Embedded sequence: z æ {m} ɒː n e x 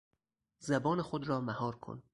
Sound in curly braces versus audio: incorrect: b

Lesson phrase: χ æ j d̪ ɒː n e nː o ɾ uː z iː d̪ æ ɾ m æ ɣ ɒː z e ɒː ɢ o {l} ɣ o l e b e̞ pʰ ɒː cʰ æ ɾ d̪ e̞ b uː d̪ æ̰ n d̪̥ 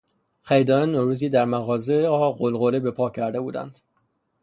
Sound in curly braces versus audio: correct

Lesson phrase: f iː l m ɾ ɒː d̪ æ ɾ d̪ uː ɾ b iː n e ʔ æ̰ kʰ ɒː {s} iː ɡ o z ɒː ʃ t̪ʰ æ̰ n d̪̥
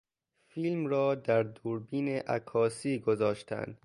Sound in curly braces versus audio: correct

